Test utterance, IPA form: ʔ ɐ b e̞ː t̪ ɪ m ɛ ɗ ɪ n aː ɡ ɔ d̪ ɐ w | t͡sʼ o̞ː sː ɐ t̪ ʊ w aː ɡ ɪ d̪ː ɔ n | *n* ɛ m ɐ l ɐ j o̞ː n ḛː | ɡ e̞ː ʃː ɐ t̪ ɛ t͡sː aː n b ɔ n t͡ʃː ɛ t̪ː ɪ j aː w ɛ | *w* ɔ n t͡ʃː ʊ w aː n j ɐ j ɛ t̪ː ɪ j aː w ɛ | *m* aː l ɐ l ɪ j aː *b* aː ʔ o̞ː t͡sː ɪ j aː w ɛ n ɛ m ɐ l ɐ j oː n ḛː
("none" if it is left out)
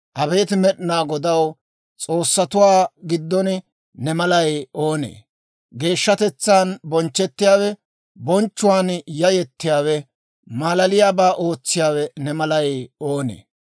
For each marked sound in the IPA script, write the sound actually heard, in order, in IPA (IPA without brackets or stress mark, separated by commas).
n, b, m, b